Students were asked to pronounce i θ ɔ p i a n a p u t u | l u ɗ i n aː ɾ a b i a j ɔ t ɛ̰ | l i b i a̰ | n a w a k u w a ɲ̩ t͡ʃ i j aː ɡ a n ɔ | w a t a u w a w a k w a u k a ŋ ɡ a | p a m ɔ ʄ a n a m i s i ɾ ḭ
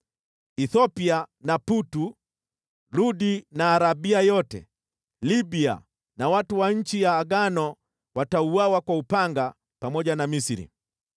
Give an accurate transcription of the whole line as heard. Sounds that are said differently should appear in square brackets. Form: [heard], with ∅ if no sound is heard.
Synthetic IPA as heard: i θ ɔ p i a n a p u t u | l u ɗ i n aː ɾ a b i a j ɔ t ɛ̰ | l i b i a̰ | n a w a [t] u w a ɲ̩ t͡ʃ i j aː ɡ a n ɔ | w a t a u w a w a k w a u [p] a ŋ ɡ a | p a m ɔ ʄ a n a m i s i ɾ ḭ